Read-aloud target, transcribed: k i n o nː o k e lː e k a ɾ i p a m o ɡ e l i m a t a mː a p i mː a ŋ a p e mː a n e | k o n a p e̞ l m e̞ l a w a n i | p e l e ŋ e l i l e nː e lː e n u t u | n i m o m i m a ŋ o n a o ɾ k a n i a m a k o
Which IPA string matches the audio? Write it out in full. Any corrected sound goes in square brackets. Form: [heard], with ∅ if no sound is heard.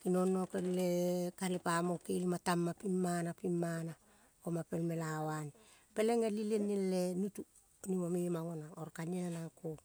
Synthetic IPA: k i n o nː o k e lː e k a [l] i p a m o [k] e l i m a t a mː a p i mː a [n] a p [i] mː a n [a] | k o [m] a p e̞ l m e̞ l a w a n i | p e l e ŋ e l i l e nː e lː e n u t u | n i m o m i m a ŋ o n a o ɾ k a n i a [n] a k o